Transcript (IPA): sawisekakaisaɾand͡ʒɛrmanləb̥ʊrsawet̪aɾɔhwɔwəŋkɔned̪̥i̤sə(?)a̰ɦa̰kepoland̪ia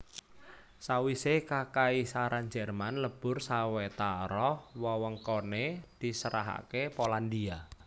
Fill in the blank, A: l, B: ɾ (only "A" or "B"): B